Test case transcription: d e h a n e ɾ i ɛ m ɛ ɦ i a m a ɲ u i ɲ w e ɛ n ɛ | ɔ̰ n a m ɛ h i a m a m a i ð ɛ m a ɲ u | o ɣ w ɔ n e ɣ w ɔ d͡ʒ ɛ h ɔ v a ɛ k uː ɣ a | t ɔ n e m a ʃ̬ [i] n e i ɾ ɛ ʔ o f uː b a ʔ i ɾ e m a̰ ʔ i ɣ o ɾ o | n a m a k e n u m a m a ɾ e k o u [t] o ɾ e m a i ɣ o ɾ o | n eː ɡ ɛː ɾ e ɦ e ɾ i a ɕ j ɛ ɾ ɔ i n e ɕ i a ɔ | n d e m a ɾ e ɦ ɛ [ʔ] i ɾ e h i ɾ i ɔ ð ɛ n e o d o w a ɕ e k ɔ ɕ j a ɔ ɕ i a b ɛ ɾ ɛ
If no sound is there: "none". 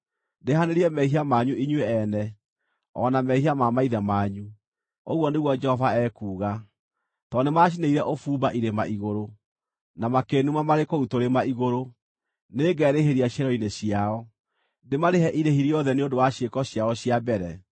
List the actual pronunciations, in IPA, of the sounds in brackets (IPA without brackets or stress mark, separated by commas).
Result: i, t, ʔ